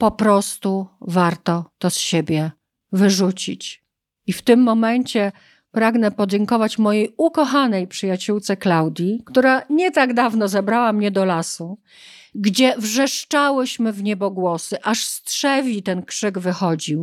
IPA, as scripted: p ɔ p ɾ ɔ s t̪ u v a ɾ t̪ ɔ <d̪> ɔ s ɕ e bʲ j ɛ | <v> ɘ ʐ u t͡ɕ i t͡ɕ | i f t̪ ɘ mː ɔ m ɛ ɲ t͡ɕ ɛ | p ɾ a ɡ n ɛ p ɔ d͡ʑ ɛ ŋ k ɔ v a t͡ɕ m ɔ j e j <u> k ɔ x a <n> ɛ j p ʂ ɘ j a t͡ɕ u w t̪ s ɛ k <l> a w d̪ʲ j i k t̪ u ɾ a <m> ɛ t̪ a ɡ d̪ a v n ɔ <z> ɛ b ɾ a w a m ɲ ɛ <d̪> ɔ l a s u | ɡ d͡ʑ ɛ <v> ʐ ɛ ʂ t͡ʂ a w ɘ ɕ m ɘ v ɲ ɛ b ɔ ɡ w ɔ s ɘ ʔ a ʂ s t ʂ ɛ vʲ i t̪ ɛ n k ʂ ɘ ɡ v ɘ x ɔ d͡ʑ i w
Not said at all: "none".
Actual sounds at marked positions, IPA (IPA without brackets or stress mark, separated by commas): t̪, v, u, n, l, ɲ, z, d̪, v